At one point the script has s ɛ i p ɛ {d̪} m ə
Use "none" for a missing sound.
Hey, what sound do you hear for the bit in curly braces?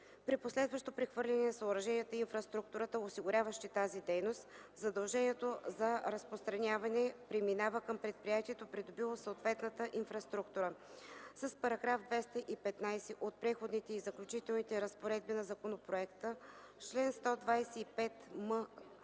t̪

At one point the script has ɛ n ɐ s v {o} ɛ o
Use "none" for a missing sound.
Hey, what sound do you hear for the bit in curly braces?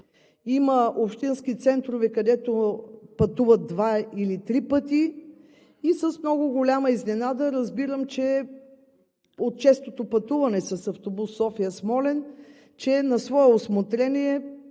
ɔ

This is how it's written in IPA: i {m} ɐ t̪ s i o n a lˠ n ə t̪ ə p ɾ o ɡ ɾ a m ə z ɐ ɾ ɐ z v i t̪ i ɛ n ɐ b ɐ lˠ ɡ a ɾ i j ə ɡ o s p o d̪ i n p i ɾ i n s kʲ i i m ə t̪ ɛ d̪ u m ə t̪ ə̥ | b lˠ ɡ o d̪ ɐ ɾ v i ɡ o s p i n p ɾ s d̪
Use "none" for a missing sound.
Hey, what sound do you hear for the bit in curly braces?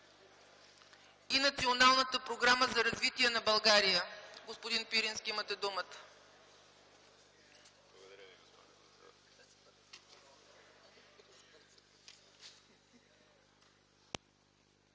n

